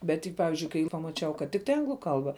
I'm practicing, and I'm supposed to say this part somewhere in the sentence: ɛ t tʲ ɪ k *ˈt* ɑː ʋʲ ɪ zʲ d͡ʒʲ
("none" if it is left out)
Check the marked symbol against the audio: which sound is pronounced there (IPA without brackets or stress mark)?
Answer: p